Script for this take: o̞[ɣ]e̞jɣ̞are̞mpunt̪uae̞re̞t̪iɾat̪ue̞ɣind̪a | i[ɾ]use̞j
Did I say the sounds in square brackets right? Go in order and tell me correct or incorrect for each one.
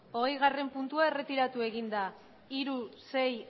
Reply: correct, correct

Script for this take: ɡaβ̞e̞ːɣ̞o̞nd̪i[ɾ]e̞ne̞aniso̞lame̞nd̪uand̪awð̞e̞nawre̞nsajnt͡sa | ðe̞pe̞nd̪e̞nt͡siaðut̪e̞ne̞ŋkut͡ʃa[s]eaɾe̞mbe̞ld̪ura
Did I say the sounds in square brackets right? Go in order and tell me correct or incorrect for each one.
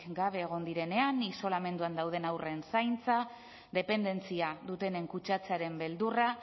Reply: correct, incorrect: t͡s

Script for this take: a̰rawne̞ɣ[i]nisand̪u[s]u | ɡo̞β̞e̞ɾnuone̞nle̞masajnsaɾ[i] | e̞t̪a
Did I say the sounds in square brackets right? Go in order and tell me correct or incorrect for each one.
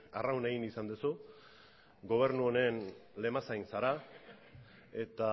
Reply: correct, correct, incorrect: a

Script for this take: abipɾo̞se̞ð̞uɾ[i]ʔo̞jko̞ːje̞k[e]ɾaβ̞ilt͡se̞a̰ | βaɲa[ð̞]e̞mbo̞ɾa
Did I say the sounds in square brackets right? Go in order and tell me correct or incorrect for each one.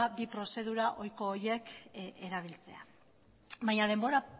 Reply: incorrect: a, correct, correct

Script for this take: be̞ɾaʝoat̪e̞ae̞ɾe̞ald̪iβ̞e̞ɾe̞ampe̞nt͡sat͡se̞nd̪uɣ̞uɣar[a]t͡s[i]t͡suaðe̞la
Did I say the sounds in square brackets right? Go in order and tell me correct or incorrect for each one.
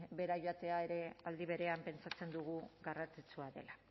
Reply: correct, correct

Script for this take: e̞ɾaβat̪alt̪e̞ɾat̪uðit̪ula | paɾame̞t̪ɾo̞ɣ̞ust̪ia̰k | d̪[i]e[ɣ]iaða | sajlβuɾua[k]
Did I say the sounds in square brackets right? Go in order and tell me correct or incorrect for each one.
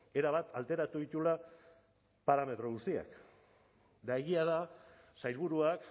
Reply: incorrect: a, correct, correct

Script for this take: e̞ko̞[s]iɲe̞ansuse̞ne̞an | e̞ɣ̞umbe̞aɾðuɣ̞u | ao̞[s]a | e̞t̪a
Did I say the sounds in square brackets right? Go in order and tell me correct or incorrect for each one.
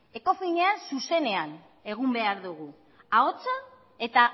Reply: incorrect: f, incorrect: t͡s

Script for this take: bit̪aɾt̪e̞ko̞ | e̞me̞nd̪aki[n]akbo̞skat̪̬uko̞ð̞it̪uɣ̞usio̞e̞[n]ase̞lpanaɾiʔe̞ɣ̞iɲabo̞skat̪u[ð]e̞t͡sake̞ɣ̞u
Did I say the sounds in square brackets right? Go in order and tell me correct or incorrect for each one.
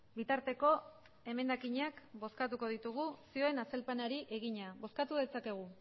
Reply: incorrect: ɲ, correct, correct

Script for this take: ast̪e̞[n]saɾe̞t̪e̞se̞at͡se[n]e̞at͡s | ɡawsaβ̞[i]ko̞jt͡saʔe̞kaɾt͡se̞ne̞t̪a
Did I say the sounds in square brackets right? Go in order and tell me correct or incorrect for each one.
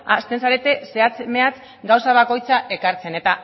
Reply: correct, incorrect: m, incorrect: a

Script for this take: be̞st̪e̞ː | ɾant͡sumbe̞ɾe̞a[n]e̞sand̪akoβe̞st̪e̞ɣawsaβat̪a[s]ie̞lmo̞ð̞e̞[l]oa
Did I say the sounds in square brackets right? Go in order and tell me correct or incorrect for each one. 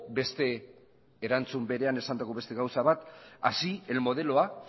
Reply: correct, correct, correct

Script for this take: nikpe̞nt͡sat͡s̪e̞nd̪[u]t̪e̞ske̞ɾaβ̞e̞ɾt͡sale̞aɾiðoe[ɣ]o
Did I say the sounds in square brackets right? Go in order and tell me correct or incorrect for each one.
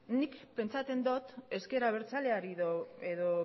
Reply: incorrect: o, incorrect: ð

